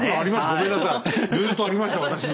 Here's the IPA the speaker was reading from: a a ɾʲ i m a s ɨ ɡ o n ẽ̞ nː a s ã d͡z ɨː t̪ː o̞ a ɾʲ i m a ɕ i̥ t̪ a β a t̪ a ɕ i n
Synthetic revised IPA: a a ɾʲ i m a s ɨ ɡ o m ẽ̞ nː a s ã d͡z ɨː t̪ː o̞ a ɾʲ i m a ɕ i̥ t̪ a β a t̪ a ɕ i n